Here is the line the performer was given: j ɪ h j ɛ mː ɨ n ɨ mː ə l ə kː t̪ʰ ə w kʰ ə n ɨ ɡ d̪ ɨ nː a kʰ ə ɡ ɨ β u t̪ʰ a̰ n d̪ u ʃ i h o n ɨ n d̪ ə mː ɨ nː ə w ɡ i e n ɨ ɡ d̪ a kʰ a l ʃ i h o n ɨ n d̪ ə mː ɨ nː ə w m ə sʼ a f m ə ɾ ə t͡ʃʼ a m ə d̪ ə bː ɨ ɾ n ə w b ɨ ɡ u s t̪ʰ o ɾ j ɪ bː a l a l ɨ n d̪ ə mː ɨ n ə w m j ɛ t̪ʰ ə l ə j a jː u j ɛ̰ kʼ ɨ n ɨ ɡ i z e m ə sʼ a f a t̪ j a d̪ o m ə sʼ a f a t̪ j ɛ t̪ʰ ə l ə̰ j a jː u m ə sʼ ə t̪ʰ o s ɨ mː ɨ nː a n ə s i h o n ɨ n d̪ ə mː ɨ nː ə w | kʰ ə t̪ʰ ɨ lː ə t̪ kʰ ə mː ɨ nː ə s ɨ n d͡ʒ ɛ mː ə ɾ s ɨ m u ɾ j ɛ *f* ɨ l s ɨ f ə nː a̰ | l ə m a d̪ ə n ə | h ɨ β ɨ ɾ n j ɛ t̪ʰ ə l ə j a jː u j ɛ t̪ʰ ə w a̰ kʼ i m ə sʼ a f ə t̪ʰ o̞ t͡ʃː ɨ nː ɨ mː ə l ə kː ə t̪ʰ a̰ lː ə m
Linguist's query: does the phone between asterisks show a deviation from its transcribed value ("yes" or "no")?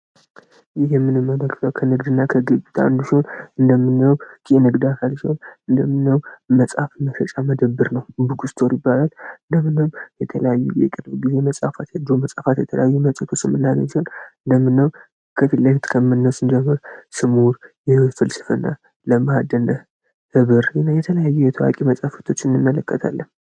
no